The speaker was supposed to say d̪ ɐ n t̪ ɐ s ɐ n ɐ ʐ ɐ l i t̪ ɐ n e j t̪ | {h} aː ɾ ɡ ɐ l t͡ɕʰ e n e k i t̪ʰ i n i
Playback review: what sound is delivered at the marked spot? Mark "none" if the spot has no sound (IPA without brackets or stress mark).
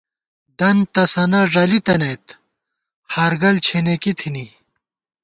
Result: h